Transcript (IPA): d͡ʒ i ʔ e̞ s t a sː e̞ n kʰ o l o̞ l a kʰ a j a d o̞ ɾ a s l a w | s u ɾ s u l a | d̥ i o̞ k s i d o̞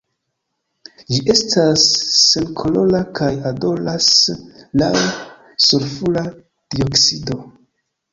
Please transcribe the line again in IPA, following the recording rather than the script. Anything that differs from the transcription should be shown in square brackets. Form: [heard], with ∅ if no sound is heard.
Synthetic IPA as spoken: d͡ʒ i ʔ e̞ s t a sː e̞ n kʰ o l o̞ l a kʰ a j a d o̞ [l] a s l a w | s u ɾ [f] u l a | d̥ i o̞ k s i d o̞